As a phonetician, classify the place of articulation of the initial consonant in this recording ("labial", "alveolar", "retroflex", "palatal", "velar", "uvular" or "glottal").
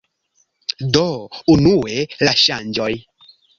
alveolar